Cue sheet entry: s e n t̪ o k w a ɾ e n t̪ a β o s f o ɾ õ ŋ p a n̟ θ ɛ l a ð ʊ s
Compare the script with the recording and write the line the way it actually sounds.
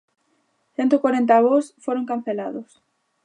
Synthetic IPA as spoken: θ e n t̪ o k w a ɾ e n t̪ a β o s f o ɾ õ ŋ k a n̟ θ e l a ð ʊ s